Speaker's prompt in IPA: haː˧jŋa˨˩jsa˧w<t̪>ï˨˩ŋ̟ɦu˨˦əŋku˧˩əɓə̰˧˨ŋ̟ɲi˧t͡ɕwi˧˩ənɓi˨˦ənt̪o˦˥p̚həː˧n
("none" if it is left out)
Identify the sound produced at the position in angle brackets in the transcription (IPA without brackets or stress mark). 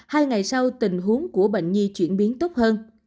t̪